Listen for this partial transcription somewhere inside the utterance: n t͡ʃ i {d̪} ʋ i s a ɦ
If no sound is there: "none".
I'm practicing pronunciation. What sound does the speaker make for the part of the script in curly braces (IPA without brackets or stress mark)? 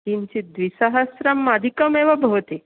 d̪